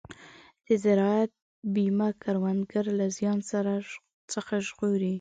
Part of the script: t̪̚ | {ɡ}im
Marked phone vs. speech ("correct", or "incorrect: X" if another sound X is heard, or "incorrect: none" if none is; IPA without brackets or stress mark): incorrect: b